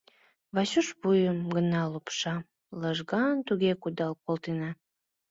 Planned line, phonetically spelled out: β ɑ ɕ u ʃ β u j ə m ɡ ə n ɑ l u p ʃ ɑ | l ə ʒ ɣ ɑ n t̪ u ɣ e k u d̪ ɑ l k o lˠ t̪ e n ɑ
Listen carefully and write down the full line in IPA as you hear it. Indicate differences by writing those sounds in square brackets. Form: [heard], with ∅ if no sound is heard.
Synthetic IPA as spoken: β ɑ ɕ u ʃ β u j ə m ɡ ə n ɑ l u p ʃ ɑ | l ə ʒ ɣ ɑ n t̪ u ɣ e k u d̪ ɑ l k o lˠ t̪ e n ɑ